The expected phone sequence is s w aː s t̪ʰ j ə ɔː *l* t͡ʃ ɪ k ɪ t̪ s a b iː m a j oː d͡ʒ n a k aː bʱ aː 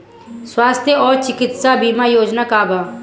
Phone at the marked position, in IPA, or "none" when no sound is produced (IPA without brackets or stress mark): ɾ